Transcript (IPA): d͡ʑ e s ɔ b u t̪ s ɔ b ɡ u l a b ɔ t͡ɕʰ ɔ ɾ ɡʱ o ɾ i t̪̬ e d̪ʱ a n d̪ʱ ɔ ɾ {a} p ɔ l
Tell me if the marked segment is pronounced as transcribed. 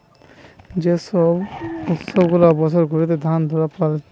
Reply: yes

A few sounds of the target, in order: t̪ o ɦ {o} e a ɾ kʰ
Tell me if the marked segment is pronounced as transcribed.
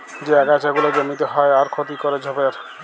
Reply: no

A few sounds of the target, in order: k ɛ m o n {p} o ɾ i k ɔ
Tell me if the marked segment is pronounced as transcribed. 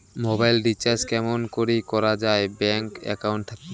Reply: no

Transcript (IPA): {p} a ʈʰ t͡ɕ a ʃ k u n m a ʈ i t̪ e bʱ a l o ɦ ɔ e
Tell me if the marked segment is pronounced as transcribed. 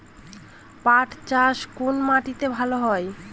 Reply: yes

